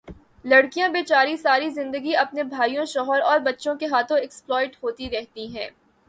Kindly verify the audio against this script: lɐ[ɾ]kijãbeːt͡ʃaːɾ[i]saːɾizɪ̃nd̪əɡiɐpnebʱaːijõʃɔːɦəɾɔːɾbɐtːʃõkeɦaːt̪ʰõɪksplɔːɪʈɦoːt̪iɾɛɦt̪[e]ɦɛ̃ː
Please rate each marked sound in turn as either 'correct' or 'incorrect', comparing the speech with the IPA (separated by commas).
incorrect, correct, incorrect